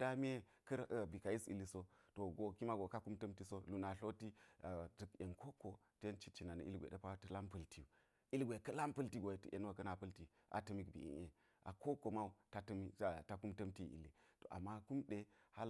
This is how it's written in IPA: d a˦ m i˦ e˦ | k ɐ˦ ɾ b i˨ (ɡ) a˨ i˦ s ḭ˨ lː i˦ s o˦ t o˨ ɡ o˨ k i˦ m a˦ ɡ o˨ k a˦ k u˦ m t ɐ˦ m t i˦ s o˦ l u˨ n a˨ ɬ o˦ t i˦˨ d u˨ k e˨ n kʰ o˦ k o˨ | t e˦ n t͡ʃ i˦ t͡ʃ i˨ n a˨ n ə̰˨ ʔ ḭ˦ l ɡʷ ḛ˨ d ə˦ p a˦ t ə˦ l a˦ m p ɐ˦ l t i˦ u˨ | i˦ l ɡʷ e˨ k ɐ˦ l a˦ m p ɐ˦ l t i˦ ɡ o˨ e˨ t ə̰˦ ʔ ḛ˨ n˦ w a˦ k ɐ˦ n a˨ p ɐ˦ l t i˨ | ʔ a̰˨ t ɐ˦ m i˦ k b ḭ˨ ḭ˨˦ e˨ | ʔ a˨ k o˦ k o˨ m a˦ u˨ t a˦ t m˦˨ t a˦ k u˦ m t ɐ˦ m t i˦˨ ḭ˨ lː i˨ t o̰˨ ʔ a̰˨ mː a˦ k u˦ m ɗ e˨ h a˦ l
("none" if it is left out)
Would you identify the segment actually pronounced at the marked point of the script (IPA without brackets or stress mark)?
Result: k